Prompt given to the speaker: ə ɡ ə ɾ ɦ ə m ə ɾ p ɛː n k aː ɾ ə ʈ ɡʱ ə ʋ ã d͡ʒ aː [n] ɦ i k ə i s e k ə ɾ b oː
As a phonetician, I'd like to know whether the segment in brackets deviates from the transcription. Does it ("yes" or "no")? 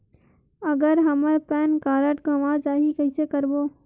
yes